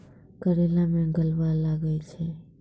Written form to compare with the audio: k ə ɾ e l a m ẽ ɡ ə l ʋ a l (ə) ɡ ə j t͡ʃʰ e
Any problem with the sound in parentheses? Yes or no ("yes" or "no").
yes